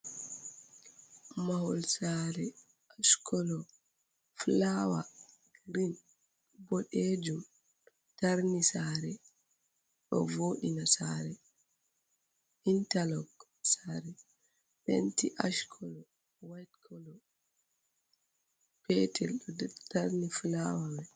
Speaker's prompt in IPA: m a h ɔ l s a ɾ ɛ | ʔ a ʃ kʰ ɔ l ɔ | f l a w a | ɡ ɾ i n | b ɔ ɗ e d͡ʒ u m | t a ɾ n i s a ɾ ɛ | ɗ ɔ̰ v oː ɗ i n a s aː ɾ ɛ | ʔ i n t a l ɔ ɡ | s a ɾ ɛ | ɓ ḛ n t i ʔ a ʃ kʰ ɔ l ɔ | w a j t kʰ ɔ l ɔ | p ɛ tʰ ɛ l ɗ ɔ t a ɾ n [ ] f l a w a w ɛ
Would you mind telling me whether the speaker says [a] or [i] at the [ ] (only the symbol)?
i